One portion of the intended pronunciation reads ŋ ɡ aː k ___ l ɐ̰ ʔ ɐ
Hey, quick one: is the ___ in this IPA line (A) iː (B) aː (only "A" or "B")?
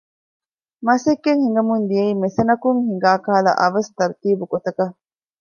B